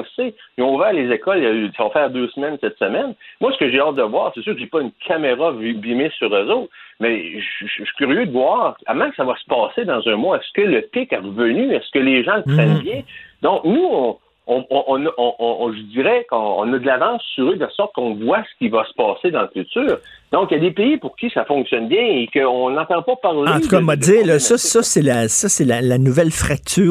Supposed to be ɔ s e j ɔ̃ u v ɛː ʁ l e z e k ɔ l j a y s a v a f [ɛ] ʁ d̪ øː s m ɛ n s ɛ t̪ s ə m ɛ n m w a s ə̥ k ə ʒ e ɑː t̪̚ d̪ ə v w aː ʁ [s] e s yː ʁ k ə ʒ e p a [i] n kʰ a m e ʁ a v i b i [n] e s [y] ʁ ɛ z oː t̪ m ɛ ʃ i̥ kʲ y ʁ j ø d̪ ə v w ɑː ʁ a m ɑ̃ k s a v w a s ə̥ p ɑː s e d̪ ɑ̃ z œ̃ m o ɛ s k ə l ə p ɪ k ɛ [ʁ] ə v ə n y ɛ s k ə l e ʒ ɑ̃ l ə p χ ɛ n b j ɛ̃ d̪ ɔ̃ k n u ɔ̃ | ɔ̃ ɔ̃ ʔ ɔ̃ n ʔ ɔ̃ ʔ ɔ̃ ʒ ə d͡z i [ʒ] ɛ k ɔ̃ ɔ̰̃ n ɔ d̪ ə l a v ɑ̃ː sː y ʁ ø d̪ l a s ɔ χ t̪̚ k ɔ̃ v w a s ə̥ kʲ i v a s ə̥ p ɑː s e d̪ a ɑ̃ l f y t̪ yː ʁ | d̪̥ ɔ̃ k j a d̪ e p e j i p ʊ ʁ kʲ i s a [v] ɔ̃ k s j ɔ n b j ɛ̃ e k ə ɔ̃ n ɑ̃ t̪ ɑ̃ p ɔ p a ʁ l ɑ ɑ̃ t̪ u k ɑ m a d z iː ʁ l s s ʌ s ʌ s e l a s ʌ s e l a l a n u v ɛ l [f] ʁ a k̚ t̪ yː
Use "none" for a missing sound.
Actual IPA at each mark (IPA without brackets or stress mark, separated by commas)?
ɛː, s, y, m, y, ʁ, ʁ, f, f